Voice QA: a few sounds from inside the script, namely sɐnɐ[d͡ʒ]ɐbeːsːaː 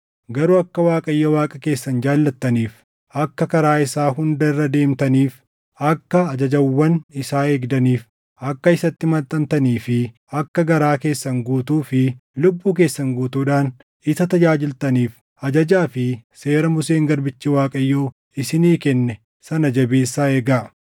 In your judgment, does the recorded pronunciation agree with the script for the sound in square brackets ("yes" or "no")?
yes